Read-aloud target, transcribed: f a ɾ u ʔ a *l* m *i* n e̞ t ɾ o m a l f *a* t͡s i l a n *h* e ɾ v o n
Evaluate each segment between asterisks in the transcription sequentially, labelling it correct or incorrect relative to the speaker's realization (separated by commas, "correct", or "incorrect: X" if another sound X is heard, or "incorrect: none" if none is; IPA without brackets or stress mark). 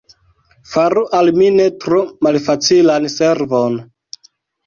correct, correct, correct, incorrect: s